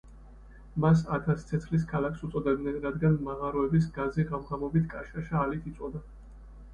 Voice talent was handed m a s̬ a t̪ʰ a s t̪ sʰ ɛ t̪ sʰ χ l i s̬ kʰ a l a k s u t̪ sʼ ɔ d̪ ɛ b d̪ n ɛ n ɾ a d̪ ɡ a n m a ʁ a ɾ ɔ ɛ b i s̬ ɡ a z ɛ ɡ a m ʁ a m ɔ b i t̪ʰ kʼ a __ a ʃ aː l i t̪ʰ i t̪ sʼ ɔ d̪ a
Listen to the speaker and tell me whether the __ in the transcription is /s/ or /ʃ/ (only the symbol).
ʃ